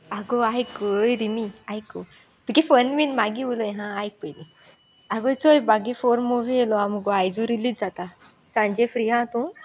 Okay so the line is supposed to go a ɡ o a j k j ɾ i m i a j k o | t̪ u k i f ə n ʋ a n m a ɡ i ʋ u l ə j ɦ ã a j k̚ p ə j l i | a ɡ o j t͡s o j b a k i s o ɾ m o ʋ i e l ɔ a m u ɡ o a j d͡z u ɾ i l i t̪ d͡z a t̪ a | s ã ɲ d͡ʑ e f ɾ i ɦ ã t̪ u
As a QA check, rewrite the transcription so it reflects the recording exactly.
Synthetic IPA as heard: a ɡ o a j k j ɾ i m i a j k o | t̪ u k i f ə n ʋ i n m a ɡ i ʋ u l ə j ɦ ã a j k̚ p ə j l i | a ɡ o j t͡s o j b a ɡ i f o ɾ m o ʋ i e l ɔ a m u ɡ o a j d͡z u ɾ i l i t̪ d͡z a t̪ a | s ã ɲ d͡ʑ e f ɾ i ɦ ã t̪ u